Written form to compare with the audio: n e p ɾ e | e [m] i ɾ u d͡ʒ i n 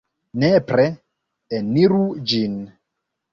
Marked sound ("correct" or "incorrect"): incorrect